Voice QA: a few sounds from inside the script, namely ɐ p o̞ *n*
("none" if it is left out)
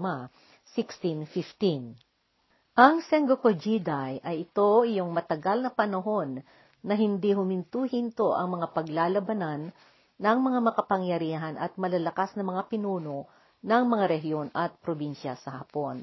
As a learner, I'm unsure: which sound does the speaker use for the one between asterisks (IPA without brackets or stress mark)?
n